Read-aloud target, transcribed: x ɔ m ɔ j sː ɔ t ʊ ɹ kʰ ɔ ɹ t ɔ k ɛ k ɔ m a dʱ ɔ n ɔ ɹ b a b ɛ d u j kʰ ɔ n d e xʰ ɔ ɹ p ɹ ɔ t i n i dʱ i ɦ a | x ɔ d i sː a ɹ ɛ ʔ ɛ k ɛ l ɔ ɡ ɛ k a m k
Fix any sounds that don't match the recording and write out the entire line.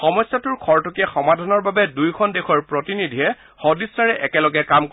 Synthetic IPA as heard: x ɔ m ɔ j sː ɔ t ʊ ɹ kʰ ɔ ɹ t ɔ k ɛ x ɔ m a dʱ ɔ n ɔ ɹ b a b ɛ d u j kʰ ɔ n d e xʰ ɔ ɹ p ɹ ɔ t i n i dʱ i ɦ ɛ | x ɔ d i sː a ɹ ɛ ʔ ɛ k ɛ l ɔ ɡ ɛ k a m k